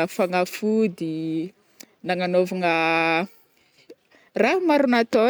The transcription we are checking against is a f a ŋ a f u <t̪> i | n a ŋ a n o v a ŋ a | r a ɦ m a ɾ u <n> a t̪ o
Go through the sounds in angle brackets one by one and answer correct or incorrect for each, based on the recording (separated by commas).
incorrect, correct